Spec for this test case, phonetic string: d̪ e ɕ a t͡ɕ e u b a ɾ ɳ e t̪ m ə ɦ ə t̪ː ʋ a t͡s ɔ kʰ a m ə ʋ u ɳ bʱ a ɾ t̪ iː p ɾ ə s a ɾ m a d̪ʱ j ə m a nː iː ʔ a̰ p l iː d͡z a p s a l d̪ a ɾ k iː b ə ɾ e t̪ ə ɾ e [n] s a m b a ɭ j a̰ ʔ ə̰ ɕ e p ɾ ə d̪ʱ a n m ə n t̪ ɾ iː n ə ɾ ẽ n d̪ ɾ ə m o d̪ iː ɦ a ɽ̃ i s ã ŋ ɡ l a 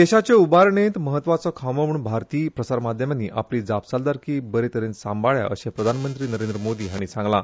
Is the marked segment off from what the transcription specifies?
no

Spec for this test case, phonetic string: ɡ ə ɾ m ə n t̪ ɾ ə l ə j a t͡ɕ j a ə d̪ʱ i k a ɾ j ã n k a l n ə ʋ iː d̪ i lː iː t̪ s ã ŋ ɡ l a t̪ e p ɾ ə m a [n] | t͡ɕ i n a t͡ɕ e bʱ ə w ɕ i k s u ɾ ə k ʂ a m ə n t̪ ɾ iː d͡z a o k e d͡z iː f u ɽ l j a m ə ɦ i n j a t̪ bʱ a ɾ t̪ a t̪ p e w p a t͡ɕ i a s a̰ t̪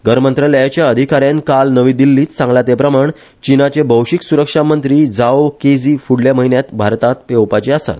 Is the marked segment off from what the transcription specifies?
yes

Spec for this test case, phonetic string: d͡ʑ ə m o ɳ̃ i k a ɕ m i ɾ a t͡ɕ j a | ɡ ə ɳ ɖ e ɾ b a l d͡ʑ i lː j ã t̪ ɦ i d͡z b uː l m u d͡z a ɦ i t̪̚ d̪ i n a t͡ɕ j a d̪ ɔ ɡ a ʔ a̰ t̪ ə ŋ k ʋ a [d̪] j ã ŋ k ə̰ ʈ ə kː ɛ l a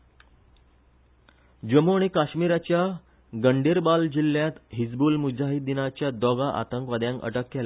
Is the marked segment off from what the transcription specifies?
no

